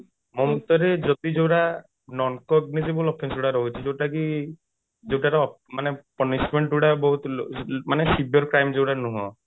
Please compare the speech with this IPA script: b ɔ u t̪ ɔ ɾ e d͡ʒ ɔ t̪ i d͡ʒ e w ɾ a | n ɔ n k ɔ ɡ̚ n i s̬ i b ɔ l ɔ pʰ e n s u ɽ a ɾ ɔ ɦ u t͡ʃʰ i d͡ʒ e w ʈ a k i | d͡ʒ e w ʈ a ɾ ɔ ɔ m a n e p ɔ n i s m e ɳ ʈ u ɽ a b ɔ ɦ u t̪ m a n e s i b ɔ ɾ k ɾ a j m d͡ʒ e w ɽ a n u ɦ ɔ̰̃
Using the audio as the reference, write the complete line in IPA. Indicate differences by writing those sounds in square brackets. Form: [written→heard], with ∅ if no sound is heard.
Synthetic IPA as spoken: [b→m] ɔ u t̪ ɔ ɾ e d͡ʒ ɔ t̪ i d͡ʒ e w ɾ a | n ɔ n k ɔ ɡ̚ n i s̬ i b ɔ l ɔ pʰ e n s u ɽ a ɾ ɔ ɦ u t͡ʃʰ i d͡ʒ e w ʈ a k i | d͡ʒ e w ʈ a ɾ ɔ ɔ m a n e p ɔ n i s m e ɳ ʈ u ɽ a b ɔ ɦ u t̪ m a n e s i b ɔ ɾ k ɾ a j m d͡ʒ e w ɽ a n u ɦ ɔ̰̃